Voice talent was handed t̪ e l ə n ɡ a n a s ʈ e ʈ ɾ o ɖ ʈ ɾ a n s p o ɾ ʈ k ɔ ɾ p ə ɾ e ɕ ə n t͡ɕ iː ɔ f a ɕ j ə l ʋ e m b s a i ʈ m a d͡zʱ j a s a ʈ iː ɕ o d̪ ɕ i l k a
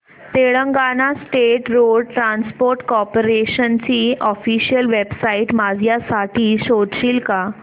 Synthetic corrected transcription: t̪ e ɭ ə ŋ ɡ a n a s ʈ e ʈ ɾ o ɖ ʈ ɾ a n s p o ɾ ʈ k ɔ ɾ p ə ɾ e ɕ ə n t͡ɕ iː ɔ f i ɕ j ə l ʋ e b s a i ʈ m a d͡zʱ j a s a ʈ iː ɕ o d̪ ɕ i l k a